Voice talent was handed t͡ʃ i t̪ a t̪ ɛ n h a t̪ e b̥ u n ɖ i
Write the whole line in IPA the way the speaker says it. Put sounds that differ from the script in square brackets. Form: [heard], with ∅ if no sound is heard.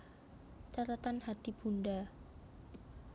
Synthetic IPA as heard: t͡ʃ [a] t̪ a t̪ [a] n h a t̪ [i] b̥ u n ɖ [a]